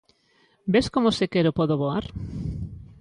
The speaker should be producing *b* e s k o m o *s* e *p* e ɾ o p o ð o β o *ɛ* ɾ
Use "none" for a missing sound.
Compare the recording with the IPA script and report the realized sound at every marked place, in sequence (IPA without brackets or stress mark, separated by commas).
b, s, k, a